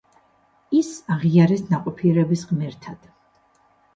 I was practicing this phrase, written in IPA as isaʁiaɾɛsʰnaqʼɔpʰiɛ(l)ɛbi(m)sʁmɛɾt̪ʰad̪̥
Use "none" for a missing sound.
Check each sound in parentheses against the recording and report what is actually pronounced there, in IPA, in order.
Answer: ɾ, none

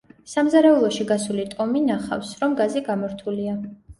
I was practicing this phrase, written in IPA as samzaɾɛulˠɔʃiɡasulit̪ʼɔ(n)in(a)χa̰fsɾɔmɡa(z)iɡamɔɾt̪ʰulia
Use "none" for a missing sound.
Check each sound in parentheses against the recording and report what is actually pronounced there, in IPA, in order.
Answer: m, a, z

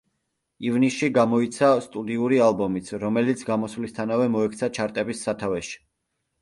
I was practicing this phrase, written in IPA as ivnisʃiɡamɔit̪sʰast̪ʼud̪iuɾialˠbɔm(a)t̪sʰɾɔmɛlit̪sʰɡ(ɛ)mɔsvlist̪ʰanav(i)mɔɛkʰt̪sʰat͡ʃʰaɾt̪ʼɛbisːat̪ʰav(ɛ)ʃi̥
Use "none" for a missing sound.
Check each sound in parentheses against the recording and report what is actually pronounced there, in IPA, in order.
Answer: i, a, ɛ, ɛ

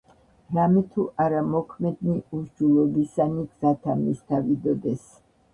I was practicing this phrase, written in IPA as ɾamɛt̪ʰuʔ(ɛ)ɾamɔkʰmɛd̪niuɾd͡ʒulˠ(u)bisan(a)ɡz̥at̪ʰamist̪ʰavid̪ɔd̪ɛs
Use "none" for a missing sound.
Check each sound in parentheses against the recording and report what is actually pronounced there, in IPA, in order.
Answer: a, ɔ, i

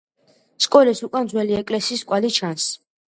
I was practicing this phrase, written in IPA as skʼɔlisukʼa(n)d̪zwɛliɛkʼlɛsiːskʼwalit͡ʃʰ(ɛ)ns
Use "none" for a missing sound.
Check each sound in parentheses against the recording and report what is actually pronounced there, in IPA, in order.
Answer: n, a

